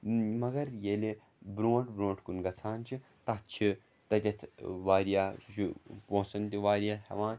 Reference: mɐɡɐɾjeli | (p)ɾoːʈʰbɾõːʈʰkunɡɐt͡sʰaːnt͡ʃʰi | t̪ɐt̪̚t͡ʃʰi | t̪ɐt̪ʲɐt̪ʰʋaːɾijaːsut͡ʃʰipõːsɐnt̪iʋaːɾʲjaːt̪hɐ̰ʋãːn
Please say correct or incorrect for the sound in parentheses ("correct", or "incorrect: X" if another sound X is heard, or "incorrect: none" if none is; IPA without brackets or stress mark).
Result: incorrect: b